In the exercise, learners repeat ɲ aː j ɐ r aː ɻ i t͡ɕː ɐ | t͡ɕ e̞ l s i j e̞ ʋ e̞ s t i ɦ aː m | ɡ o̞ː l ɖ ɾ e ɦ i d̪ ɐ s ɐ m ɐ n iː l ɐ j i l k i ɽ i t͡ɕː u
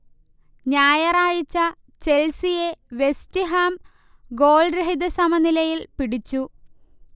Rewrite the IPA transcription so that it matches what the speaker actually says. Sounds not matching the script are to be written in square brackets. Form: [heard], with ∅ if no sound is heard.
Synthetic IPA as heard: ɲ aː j ɐ r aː ɻ i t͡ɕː ɐ | t͡ɕ e̞ l s i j e̞ ʋ e̞ s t i ɦ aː m | ɡ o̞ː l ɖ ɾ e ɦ i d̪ ɐ s ɐ m ɐ n [i] l ɐ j i l [p] i ɽ i t͡ɕː u

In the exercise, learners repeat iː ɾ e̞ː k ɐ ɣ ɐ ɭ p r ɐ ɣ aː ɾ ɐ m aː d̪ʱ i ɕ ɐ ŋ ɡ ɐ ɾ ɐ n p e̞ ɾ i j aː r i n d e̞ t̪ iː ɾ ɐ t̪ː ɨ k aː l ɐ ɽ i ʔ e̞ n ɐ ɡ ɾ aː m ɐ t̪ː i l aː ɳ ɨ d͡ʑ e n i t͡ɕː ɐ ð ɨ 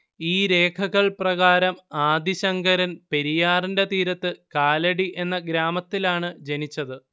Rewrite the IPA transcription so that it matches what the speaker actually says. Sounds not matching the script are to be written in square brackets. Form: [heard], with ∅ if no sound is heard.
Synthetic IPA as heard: iː ɾ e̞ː [kʰ] ɐ ɣ ɐ ɭ p r ɐ ɣ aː ɾ ɐ m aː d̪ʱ i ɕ ɐ ŋ ɡ ɐ ɾ ɐ n p e̞ ɾ i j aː r i n d e̞ t̪ iː ɾ ɐ t̪ː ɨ k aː l ɐ ɽ i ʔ e̞ [nː] ɐ ɡ ɾ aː m ɐ t̪ː i l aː ɳ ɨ d͡ʑ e n i t͡ɕː ɐ ð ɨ

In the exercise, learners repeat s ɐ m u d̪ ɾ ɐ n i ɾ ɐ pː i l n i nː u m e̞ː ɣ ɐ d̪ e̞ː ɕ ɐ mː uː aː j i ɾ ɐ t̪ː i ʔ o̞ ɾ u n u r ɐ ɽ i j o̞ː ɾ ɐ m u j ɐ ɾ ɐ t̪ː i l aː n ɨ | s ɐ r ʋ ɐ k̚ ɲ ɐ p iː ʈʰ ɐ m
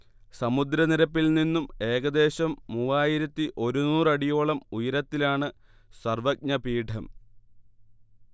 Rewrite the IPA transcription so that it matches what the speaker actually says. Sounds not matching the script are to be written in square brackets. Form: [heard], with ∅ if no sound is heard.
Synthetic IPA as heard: s ɐ m u d̪ ɾ ɐ n i ɾ ɐ pː i l n i nː u m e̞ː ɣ ɐ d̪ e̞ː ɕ ɐ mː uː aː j i ɾ ɐ t̪ː i ʔ o̞ ɾ u n [uː] r ɐ ɽ i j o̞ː [ɭ] ɐ m u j ɐ ɾ ɐ t̪ː i l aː [ɳ] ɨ | s ɐ r ʋ ɐ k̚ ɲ ɐ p iː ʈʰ ɐ m

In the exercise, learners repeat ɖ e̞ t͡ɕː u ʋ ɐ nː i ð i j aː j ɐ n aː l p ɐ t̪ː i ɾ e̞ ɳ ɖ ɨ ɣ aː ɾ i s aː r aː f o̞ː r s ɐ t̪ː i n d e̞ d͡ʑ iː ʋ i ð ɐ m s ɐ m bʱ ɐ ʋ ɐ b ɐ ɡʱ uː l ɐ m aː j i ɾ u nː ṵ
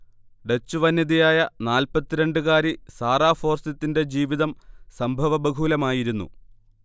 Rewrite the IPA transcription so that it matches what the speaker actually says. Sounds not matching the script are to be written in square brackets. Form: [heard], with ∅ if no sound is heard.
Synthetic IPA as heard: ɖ e̞ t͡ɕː u ʋ ɐ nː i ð i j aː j ɐ n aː l p ɐ t̪ː i ɾ e̞ ɳ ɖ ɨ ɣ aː ɾ i s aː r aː f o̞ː r s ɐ t̪ː i n d e̞ d͡ʑ iː ʋ i ð ɐ m s ɐ m bʱ ɐ ʋ ɐ b ɐ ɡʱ uː l ɐ m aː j i ɾ u nː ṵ

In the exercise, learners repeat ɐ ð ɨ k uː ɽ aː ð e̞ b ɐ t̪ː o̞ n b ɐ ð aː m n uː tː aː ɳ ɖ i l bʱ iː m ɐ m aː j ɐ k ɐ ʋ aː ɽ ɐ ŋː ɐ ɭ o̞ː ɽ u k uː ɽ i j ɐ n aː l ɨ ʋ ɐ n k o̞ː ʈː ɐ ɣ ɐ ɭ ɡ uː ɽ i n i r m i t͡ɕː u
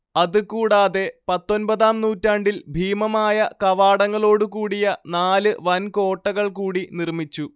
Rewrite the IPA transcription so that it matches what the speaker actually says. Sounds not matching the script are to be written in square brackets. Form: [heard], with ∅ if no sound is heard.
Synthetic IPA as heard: ɐ ð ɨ k uː ɽ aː ð e̞ [p] ɐ t̪ː o̞ n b ɐ ð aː m n uː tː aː ɳ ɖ i l bʱ iː m ɐ m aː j ɐ k ɐ ʋ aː ɽ ɐ ŋː ɐ ɭ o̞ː ɽ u k uː ɽ i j ɐ n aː l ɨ ʋ ɐ n k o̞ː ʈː ɐ ɣ ɐ ɭ [k] uː ɽ i n i r m i t͡ɕː u

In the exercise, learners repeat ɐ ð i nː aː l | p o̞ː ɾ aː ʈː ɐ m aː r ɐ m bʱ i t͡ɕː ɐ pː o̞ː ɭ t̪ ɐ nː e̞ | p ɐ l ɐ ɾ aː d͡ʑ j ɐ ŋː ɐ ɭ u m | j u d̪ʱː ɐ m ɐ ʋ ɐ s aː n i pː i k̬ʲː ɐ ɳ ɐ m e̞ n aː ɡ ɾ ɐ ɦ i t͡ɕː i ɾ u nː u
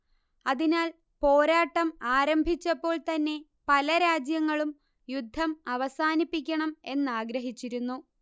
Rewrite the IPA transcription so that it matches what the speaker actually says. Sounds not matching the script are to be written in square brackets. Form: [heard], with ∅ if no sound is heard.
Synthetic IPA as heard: ɐ ð i [n] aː l | p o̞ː ɾ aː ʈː ɐ m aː [ɾ] ɐ m bʱ i t͡ɕː ɐ pː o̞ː ɭ t̪ ɐ nː e̞ | p ɐ l ɐ ɾ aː d͡ʑ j ɐ ŋː ɐ ɭ u m | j u d̪ʱː ɐ m ɐ ʋ ɐ s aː n i pː i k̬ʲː ɐ ɳ ɐ m e̞ [nː] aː ɡ ɾ ɐ ɦ i t͡ɕː i ɾ u nː u

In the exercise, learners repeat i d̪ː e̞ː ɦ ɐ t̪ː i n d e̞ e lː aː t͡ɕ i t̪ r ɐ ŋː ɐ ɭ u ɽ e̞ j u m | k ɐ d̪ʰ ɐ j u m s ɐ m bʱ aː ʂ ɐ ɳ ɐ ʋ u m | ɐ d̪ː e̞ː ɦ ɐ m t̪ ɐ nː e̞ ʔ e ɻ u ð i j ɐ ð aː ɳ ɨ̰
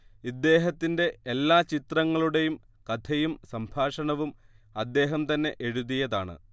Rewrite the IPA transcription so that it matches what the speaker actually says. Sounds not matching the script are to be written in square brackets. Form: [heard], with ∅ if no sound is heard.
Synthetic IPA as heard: i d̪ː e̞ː ɦ ɐ t̪ː i n d e̞ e lː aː t͡ɕ i t̪ r ɐ ŋː ɐ ɭ u ɽ e̞ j u m | k ɐ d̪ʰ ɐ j u m s ɐ m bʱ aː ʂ ɐ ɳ ɐ ʋ u m | ɐ d̪ː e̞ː ɦ ɐ m t̪ ɐ nː e̞ ʔ e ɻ u ð i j ɐ ð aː ɳ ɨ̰

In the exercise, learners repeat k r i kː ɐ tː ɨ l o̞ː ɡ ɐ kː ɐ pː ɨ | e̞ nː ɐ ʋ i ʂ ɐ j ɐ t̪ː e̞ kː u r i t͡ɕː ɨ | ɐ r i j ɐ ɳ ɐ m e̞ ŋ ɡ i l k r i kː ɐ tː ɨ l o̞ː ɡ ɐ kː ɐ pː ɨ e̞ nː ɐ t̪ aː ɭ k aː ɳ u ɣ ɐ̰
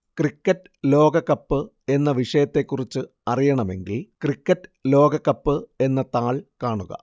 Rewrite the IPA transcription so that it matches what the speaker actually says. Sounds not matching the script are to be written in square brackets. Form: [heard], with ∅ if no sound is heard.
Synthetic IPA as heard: k r i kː ɐ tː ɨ l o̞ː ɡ ɐ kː ɐ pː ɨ | e̞ nː ɐ ʋ i ʂ ɐ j ɐ t̪ː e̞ kː u r i t͡ɕː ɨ | ɐ r i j ɐ ɳ ɐ m e̞ ŋ ɡ i l k r i kː ɐ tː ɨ l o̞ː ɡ ɐ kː ɐ pː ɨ e̞ nː ɐ t̪ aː ɭ k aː ɳ u ɣ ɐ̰

